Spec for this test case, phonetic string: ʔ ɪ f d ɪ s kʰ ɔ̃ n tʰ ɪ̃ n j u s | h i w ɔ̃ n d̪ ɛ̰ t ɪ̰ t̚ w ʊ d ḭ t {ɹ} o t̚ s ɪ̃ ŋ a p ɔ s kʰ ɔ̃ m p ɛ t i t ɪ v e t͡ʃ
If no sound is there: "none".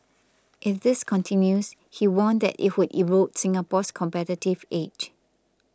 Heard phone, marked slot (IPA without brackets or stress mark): ɹ